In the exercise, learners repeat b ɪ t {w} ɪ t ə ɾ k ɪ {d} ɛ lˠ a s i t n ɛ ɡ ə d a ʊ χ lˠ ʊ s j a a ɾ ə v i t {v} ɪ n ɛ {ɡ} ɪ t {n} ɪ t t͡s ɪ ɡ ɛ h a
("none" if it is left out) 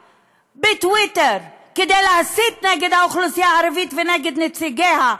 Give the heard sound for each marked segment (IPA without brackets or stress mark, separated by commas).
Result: w, d, v, ɡ, n